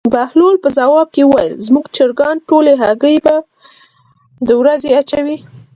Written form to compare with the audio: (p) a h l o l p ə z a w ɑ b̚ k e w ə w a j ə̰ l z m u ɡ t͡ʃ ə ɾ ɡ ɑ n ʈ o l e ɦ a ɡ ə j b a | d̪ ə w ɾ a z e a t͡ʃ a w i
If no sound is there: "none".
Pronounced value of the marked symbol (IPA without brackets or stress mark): b